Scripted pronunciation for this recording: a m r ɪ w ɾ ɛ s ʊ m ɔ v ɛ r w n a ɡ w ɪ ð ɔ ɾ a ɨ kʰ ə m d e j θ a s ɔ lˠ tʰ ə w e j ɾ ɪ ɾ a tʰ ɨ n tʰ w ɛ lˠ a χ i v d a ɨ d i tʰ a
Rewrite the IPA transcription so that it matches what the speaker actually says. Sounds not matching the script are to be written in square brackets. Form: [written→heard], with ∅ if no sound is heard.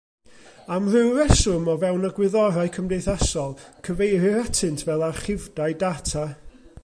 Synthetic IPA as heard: a m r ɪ w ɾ ɛ s ʊ m ɔ v ɛ [r→∅] w n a ɡ w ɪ ð ɔ ɾ a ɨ kʰ ə m d e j θ a s ɔ lˠ [tʰ→kʰ] ə [w→v] e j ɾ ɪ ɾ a tʰ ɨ n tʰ [w→v] ɛ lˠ a χ [i→ɪ] v d a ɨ d [i→a] tʰ a